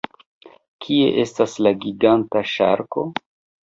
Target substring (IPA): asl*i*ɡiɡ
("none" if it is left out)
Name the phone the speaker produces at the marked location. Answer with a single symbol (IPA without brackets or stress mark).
a